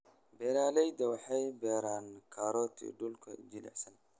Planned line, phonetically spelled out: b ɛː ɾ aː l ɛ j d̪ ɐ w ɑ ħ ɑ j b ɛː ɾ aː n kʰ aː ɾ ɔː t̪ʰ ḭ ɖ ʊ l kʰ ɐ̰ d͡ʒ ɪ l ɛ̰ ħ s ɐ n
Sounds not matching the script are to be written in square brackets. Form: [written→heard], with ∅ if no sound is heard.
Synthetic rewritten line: b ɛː ɾ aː l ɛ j d̪ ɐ w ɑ ħ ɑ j b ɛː ɾ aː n kʰ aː ɾ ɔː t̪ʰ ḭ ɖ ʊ l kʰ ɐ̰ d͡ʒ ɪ l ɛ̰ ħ s ɐ n